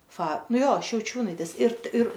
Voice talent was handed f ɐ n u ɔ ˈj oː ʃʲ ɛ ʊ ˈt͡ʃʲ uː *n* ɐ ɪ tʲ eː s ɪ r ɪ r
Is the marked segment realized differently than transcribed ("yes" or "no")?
no